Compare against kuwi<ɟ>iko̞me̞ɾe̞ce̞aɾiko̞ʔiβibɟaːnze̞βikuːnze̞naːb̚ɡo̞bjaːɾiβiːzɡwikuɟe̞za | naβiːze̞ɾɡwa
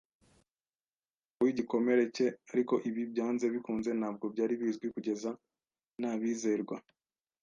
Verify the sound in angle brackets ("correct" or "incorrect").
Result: correct